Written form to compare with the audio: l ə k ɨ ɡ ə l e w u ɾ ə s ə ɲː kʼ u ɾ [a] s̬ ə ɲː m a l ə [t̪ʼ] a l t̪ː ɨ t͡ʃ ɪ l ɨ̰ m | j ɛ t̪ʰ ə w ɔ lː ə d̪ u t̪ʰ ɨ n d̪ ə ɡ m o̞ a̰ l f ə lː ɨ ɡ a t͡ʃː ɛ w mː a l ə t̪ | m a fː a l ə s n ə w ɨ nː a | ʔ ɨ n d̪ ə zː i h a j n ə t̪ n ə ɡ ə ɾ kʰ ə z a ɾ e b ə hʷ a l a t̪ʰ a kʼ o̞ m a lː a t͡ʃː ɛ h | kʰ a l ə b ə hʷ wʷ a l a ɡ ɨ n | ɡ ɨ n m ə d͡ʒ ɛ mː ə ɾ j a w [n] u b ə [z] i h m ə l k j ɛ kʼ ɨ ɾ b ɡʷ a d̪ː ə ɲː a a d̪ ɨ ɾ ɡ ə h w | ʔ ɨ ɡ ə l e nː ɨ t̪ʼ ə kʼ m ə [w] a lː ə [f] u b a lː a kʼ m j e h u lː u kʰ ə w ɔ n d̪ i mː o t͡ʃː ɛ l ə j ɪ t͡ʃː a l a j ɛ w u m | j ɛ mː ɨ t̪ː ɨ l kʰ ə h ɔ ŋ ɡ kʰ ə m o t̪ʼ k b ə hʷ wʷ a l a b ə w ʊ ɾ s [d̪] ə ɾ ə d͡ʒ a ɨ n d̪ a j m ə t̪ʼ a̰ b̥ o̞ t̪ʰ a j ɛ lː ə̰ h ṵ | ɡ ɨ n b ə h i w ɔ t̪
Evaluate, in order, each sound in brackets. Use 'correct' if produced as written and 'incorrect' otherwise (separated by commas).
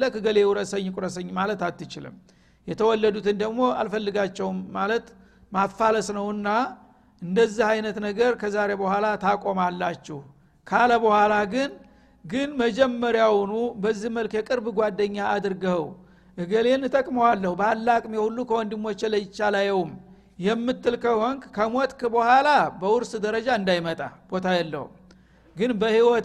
incorrect, incorrect, correct, incorrect, correct, incorrect, correct